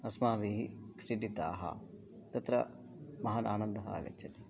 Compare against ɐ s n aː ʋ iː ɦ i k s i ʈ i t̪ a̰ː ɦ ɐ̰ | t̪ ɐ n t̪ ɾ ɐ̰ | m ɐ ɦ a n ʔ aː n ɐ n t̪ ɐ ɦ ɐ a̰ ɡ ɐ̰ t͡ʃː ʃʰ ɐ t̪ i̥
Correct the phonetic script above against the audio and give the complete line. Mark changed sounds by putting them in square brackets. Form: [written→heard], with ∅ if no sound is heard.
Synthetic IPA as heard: ɐ s [n→m] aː ʋ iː ɦ i k [s→ʂ] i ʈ i t̪ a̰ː ɦ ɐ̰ | t̪ ɐ [n→∅] t̪ ɾ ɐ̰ | m ɐ ɦ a n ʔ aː n ɐ n [t̪→d̪] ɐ ɦ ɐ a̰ ɡ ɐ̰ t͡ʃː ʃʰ ɐ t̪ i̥